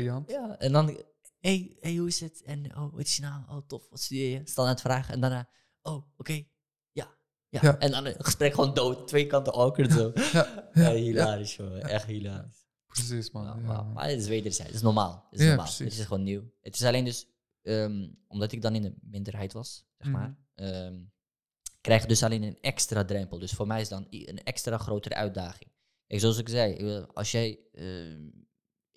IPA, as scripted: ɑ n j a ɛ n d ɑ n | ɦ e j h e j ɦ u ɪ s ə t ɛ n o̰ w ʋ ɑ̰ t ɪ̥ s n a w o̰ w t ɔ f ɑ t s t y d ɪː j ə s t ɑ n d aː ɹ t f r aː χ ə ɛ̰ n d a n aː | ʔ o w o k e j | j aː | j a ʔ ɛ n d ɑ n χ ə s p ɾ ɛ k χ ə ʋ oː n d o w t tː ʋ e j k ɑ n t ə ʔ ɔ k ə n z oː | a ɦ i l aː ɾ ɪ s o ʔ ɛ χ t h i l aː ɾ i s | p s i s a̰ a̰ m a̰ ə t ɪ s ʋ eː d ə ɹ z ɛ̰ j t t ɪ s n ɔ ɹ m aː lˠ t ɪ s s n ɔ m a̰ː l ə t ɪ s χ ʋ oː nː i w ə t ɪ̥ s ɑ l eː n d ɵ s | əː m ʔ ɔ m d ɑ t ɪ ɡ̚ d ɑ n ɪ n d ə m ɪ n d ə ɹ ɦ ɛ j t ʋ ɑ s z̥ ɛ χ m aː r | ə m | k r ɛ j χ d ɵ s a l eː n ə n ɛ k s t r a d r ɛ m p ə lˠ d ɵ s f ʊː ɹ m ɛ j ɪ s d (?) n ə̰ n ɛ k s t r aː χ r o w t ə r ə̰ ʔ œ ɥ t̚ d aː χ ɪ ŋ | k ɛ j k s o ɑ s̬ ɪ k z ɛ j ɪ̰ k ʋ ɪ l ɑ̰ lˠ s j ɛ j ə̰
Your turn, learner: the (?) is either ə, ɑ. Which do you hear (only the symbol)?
ɑ